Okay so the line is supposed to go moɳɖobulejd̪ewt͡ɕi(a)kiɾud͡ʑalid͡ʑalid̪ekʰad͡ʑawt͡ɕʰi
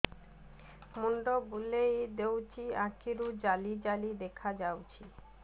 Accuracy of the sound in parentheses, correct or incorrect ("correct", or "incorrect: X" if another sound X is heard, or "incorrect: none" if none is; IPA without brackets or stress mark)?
correct